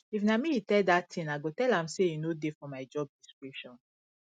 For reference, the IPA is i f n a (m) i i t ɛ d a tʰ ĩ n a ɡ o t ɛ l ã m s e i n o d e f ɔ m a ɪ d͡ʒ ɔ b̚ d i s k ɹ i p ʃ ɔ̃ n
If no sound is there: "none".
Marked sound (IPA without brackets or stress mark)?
m